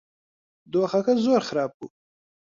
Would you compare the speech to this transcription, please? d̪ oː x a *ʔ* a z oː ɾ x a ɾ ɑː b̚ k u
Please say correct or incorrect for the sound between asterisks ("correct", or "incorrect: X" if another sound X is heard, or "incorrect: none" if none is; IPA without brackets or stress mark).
incorrect: k